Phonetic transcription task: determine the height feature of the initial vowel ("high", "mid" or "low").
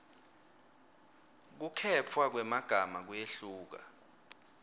high